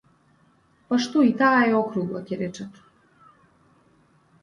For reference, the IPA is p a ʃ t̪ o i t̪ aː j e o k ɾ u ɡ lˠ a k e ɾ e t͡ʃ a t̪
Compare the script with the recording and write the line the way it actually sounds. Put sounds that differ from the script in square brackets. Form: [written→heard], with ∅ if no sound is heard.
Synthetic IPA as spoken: p a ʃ t̪ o i t̪ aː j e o k ɾ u ɡ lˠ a [k→c] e ɾ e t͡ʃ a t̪